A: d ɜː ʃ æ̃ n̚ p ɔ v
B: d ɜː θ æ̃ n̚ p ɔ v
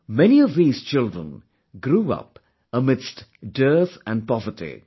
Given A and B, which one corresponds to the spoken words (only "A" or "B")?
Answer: B